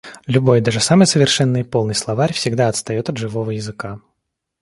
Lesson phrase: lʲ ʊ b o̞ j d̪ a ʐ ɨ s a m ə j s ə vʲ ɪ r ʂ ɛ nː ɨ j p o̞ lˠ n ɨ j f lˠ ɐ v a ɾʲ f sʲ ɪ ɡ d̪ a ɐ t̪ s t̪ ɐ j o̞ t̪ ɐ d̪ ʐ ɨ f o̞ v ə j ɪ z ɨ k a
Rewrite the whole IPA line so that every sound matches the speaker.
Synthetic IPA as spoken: lʲ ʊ b o̞ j d̪ a ʐ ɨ s a m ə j s ə vʲ ɪ r ʂ ɛ nː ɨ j p o̞ lˠ n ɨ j s lˠ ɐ v a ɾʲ f sʲ ɪ ɡ d̪ a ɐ t̪ s t̪ ɐ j o̞ t̪ ɐ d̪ ʐ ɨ v o̞ v ə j ɪ z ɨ k a